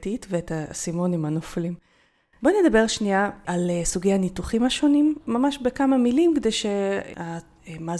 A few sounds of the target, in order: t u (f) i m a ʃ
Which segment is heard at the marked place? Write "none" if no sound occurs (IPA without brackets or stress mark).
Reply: χ